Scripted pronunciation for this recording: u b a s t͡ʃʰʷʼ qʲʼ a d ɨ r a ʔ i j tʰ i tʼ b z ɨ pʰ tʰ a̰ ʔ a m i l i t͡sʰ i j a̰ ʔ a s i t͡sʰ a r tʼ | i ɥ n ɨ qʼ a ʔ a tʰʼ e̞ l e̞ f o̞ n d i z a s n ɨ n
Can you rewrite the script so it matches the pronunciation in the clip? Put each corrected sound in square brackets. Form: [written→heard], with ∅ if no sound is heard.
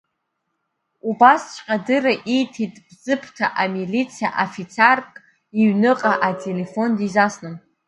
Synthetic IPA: u b a s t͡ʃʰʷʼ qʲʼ a d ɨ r a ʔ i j tʰ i tʼ b z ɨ pʰ tʰ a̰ ʔ a m i l i t͡sʰ i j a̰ ʔ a [s→f] i t͡sʰ a r [tʼ→kʼ] | i ɥ n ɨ qʼ a ʔ a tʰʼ e̞ l e̞ f o̞ n d i z a s n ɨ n